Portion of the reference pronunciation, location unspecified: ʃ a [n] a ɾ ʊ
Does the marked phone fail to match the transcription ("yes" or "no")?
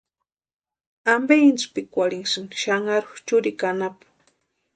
yes